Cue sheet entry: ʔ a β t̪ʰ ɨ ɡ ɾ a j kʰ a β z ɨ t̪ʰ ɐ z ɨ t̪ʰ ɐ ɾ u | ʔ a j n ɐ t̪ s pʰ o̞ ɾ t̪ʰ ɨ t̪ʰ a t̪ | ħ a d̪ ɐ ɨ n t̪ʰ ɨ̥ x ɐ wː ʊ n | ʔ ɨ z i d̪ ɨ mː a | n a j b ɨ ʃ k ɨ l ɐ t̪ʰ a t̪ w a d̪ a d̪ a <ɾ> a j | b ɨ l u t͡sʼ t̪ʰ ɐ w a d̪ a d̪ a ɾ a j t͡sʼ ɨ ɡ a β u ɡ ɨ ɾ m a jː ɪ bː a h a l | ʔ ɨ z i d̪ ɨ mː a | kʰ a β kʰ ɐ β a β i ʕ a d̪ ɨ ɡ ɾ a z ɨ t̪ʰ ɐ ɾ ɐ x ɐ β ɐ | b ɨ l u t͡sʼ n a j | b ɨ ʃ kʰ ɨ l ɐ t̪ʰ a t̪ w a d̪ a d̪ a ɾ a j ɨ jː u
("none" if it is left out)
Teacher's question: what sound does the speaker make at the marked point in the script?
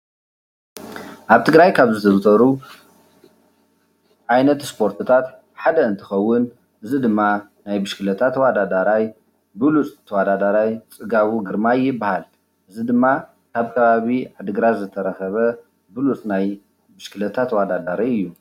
ɾ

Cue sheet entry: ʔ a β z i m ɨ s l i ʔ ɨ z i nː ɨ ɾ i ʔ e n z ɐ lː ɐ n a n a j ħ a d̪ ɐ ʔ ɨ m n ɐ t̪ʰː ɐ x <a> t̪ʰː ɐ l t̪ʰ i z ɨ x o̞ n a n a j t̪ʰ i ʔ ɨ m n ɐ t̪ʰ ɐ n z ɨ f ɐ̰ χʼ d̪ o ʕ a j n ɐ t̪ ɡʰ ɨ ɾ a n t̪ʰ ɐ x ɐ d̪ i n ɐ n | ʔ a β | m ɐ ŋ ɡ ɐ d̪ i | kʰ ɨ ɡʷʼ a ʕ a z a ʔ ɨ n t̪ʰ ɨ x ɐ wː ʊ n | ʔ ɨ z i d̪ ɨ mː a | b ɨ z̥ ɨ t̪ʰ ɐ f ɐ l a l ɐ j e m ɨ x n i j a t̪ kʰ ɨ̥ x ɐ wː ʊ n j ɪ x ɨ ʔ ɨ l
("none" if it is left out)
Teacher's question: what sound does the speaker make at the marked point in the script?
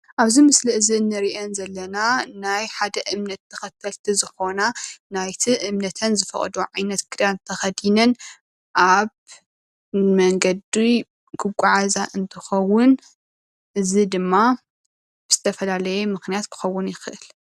ɐ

